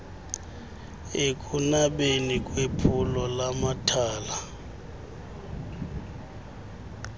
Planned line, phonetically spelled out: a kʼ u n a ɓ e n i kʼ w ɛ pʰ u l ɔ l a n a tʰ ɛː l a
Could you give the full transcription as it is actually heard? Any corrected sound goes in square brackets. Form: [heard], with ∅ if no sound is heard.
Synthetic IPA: [e] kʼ u n a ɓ e n i kʼ w [e] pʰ u l ɔ l a [m] a tʰ [aː] l a